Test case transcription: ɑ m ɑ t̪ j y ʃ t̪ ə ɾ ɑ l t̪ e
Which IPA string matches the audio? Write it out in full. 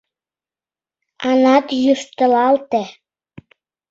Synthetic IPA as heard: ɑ n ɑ t̪ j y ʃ t̪ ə l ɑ l t̪ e

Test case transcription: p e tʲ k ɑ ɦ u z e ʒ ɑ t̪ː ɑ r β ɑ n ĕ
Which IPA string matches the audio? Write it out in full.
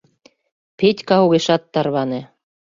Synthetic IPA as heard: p e tʲ k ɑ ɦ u ɣ e ʃ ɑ t̪ː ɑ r β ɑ n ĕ

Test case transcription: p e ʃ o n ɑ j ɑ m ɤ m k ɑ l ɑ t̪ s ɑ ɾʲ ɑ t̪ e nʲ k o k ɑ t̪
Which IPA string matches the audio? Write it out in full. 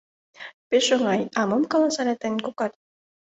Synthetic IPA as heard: p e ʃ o ŋ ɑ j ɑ m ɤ m k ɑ l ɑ s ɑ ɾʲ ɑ t̪ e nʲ k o k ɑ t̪

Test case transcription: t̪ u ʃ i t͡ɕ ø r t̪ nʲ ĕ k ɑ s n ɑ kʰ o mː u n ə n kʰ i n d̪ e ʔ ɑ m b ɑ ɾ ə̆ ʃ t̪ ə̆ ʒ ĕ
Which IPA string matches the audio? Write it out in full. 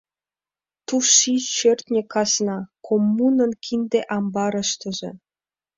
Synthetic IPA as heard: t̪ u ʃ i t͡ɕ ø r t̪ nʲ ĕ k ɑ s n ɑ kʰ o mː u n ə n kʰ i n d̪ e ʔ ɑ m b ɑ ɾ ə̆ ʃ t̪ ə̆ ʒ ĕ

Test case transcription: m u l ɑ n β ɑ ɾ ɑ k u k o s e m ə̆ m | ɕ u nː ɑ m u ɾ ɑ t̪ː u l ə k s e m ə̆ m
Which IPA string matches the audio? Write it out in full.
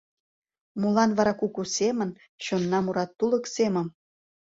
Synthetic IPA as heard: m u l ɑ n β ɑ ɾ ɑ k u k u s e m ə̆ n | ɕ o nː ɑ m u ɾ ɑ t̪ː u l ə k s e m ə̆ m

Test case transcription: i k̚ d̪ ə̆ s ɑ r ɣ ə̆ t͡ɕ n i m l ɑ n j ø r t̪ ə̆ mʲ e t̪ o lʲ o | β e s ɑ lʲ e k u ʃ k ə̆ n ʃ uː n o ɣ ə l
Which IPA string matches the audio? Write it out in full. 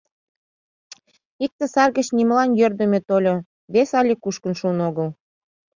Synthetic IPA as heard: i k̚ t̪ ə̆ s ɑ r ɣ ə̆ t͡ɕ n i m l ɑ n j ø r d̪ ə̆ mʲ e t̪ o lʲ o | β e s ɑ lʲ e k u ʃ k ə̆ n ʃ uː n o ɣ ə l

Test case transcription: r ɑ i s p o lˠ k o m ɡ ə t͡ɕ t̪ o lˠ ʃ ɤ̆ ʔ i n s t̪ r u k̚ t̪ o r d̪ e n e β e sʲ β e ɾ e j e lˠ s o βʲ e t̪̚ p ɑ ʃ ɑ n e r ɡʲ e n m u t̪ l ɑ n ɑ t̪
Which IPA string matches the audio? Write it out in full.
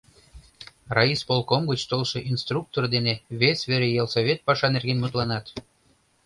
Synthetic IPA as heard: r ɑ i s p o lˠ k o m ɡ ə t͡ɕ t̪ o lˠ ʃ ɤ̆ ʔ i n s t̪ r u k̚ t̪ o r d̪ e n e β e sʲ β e ɾ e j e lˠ s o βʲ e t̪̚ p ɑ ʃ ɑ n e r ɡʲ e n m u t̪ l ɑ n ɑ t̪

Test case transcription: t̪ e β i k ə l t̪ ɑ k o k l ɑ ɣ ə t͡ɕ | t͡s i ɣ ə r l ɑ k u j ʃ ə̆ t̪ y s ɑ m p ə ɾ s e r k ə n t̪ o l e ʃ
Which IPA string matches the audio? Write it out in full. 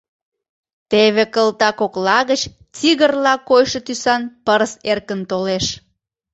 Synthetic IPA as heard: t̪ e β e k ə l t̪ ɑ k o k l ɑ ɣ ə t͡ɕ | t͡s i ɣ ə r l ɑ k o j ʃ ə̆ t̪ y s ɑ n p ə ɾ s e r k ə n t̪ o l e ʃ

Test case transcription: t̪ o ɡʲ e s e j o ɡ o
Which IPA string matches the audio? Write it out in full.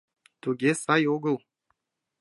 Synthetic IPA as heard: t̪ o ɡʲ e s a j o ɡ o

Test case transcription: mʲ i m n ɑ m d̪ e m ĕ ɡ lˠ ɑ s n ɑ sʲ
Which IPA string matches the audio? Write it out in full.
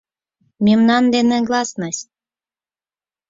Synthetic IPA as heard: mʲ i m n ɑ n d̪ e n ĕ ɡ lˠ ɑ s n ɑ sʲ

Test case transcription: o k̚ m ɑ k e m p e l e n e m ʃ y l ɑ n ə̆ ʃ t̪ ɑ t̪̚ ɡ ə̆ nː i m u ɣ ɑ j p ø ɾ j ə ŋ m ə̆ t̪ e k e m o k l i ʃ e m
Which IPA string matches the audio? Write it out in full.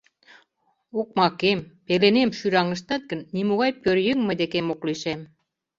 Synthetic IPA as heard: o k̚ m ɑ k e m p e l e n e m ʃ y ɾ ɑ ŋ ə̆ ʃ t̪ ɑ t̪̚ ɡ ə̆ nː i m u ɣ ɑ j p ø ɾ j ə ŋ m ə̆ d̪ e k e m o k l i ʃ e m

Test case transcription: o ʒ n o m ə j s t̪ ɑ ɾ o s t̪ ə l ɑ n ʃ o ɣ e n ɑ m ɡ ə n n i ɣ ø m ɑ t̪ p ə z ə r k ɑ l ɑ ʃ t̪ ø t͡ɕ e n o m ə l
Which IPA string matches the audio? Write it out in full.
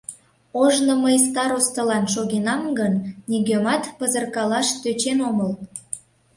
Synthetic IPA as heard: o ʒ n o m ə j s t̪ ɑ ɾ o s t̪ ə l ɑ n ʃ o ɣ e n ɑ m ɡ ə n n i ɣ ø m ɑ t̪ p ə z ə r k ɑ l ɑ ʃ t̪ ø t͡ɕ e n o m ə l

